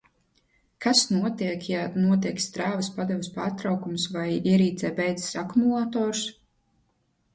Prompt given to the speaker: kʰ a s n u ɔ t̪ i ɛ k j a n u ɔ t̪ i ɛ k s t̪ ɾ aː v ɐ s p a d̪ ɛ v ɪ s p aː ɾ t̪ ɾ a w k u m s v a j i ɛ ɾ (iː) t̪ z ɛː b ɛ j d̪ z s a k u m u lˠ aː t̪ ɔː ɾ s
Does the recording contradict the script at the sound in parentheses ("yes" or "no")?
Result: no